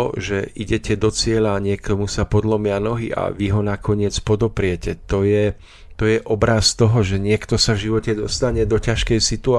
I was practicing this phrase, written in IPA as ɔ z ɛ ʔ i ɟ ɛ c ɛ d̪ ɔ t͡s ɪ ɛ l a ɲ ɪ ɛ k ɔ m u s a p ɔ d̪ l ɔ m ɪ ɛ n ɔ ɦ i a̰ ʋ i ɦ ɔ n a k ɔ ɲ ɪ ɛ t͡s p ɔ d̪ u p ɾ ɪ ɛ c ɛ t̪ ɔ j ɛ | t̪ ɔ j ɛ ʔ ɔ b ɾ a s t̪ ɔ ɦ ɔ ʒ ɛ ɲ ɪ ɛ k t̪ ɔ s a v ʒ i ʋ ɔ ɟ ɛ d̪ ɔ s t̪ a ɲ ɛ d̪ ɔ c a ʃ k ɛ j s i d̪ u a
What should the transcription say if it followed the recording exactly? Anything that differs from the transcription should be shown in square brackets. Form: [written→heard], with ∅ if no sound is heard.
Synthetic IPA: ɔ [z→ʒ] ɛ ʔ i ɟ ɛ c ɛ d̪ ɔ t͡s ɪ ɛ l a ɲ ɪ ɛ k ɔ m u s a p ɔ d̪ l ɔ m ɪ [ɛ→a] n ɔ ɦ i a̰ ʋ i ɦ ɔ n a k ɔ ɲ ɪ ɛ t͡s p ɔ d̪ [u→ɔ] p ɾ ɪ ɛ c ɛ t̪ ɔ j ɛ | t̪ ɔ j ɛ ʔ ɔ b ɾ a s t̪ ɔ ɦ ɔ ʒ ɛ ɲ ɪ ɛ k t̪ ɔ s a v ʒ i ʋ ɔ [ɟ→c] ɛ d̪ ɔ s t̪ a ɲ ɛ d̪ ɔ c a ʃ k ɛ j s i [d̪→t̪] u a